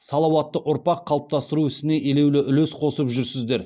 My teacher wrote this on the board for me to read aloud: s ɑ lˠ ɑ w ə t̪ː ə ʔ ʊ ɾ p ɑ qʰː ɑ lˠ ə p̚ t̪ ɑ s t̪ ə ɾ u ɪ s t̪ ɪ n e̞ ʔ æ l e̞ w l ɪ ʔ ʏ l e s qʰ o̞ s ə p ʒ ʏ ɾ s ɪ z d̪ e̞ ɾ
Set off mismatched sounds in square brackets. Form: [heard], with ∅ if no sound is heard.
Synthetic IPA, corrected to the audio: s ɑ lˠ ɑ w [ɑ] t̪ː ə ʔ ʊ ɾ p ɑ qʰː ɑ lˠ ə p̚ t̪ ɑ s t̪ ə ɾ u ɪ s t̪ ɪ n e̞ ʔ [e] l e̞ w l ɪ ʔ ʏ l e s qʰ o̞ s ə p ʒ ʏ ɾ s ɪ z d̪ e̞ ɾ